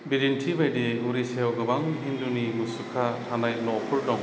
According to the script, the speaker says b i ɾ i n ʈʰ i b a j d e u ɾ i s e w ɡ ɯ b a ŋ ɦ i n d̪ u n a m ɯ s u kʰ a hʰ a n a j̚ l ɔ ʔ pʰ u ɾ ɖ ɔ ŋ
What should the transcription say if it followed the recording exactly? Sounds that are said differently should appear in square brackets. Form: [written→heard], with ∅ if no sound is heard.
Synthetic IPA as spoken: b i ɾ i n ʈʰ i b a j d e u ɾ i s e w ɡ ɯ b a ŋ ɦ i n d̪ u n [a→i] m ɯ s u kʰ a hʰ a n a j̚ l ɔ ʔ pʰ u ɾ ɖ ɔ ŋ